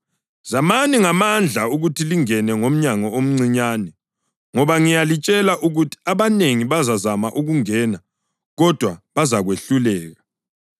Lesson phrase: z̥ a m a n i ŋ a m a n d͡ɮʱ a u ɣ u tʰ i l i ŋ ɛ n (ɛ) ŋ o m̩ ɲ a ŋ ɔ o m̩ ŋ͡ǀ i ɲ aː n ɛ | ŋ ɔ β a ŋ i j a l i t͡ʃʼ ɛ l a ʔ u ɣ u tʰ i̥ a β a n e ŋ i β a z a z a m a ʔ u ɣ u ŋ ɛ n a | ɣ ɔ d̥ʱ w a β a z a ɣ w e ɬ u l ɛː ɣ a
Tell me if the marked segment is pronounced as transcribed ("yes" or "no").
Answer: yes